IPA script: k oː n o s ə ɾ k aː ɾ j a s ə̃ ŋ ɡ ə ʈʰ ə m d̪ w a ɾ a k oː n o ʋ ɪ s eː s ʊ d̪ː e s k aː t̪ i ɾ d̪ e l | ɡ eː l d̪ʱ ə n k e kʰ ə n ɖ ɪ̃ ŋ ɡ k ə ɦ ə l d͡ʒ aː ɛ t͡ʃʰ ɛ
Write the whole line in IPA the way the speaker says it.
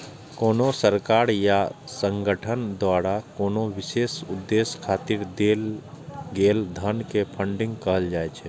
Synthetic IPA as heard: k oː n o s ə ɾ k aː ɾ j a s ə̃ ŋ ɡ ə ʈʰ ə n d̪ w a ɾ a k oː n o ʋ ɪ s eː s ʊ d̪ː e s kʰ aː t̪ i ɾ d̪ e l | ɡ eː l d̪ʱ ə n k e pʰ ə ɳ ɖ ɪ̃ ŋ ɡ k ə ɦ ə l d͡ʒ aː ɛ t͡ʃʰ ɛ